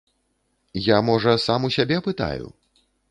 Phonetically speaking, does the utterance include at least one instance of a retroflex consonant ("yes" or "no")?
yes